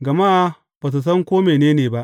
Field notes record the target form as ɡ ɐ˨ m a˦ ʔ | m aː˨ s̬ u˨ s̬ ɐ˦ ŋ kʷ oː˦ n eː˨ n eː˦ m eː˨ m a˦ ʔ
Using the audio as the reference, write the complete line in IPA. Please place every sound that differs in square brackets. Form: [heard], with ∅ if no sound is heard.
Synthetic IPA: ɡ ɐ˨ m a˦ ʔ | [b] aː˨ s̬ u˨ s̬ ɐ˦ ŋ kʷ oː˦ [m] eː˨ n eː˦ [n] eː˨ [b] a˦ ʔ